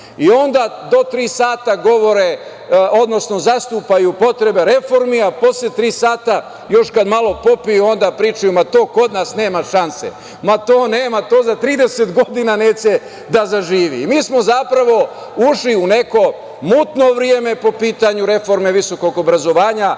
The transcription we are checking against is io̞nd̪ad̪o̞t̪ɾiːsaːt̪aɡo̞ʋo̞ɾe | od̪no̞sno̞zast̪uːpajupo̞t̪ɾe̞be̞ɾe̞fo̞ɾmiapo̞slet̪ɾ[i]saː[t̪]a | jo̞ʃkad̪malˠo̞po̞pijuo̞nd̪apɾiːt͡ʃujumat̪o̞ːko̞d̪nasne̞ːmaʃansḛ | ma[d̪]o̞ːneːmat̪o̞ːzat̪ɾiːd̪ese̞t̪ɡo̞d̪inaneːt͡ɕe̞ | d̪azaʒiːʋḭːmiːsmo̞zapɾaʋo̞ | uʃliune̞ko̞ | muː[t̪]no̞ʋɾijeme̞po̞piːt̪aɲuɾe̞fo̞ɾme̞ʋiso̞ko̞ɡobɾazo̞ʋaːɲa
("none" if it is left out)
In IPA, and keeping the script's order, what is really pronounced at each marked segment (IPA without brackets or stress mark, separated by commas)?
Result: iː, t̪, t̪, t̪